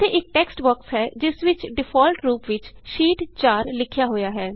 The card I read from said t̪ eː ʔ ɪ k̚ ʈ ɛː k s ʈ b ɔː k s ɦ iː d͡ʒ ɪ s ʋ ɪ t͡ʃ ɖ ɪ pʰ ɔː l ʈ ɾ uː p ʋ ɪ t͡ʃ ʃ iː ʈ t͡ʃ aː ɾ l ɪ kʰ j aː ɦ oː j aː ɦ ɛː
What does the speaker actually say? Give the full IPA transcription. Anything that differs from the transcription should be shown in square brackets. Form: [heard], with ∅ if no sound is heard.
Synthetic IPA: t̪ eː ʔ ɪ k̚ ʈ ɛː k s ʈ b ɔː k s ɦ [ɛː] d͡ʒ ɪ s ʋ ɪ t͡ʃ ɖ ɪ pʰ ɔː l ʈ ɾ uː p ʋ ɪ t͡ʃ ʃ iː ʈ t͡ʃ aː ɾ l ɪ kʰ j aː ɦ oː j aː ɦ ɛː

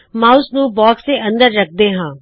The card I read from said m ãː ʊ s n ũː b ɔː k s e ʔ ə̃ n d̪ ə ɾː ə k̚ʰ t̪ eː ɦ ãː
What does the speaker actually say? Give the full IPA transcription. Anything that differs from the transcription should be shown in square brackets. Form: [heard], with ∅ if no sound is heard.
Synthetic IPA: m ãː ʊ s n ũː b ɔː k s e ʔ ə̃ n d̪ ə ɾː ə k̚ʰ [d̪] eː ɦ ãː

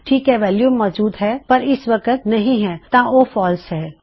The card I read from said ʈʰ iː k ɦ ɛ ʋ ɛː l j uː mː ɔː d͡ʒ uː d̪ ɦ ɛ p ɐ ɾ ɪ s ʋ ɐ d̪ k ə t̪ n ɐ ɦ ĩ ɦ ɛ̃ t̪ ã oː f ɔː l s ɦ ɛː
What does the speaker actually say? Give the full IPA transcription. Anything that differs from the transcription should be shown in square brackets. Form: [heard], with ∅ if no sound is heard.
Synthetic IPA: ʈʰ iː k ɦ ɛ ʋ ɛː l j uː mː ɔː d͡ʒ uː d̪ ɦ ɛ p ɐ ɾ ɪ s ʋ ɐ [∅] k ə t̪ n ɐ ɦ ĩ ɦ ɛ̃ t̪ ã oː f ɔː l s ɦ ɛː

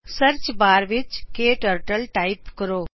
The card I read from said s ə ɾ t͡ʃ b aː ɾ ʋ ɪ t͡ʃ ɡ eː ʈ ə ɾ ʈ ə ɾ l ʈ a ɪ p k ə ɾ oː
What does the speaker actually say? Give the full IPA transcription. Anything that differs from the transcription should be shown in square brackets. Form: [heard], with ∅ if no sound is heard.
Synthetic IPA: s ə ɾ t͡ʃ b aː ɾ ʋ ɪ t͡ʃ [k] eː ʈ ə ɾ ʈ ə [∅] l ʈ a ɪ p k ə ɾ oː

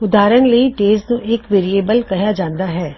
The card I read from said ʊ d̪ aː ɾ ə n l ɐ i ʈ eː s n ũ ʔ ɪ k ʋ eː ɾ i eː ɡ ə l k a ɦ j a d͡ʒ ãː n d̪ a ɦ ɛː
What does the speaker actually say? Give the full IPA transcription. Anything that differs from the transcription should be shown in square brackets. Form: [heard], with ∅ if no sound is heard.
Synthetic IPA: ʊ d̪ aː ɾ ə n l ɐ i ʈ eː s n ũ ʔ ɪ k ʋ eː ɾ i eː [b] ə l k [ɐ] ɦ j a d͡ʒ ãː n d̪ a ɦ ɛː

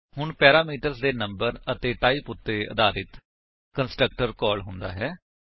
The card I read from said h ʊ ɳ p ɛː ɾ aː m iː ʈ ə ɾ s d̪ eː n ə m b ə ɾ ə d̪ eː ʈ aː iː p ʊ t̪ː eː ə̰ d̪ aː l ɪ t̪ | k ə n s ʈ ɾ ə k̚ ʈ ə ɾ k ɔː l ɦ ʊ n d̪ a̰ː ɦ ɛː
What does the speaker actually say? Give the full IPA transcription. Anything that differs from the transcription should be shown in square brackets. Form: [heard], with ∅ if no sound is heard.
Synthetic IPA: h ʊ ɳ p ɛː ɾ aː m iː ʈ ə ɾ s d̪ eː n ə m b ə ɾ ə [t̪] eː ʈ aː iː p ʊ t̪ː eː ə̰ d̪ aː [ɾ] ɪ t̪ | k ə n s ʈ ɾ ə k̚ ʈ ə ɾ k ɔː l ɦ ʊ n d̪ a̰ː ɦ ɛː

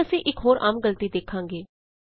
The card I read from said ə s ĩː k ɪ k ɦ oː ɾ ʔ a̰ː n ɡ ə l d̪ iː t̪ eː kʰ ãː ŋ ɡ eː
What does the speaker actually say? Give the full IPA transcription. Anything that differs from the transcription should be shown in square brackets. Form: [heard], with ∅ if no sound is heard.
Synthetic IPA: ə s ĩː [ʔ] ɪ k ɦ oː ɾ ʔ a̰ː [m] ɡ ə l [t̪] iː [d̪] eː kʰ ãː ŋ ɡ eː

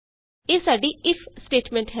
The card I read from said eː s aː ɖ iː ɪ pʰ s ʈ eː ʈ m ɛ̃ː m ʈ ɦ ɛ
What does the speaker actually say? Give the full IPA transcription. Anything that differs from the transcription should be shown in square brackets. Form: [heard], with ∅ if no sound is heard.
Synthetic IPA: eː s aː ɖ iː ɪ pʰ s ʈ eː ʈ m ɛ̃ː [ɳ] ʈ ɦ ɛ

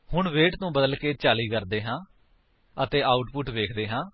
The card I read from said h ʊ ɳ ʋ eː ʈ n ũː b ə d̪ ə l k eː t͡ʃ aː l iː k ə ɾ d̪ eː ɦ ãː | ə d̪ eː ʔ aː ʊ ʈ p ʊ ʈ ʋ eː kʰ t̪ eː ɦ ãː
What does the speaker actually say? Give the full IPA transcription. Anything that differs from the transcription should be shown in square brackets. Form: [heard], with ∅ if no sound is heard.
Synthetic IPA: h ʊ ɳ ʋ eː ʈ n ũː b ə d̪ ə l k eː t͡ʃ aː l iː k ə ɾ d̪ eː ɦ ãː | ə [t̪] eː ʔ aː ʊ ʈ p ʊ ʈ ʋ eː kʰ [d̪] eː ɦ ãː

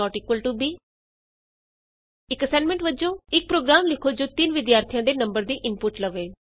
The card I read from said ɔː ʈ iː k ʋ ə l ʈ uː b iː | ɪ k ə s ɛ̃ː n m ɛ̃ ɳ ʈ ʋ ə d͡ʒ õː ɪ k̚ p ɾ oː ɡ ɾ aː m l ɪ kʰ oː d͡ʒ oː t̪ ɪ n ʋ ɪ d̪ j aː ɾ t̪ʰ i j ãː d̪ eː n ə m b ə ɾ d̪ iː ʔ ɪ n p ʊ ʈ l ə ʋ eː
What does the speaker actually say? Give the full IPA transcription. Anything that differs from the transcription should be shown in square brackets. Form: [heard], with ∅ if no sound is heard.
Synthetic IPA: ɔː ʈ iː k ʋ ə l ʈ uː b iː | ɪ k ə s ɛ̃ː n m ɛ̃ ɳ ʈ ʋ ə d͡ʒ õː ɪ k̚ p ɾ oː ɡ ɾ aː m l ɪ kʰ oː d͡ʒ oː t̪ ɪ n ʋ ɪ d̪ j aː ɾ t̪ʰ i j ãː d̪ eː n ə m b ə ɾ d̪ iː ʔ ɪ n p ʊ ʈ l ə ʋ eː

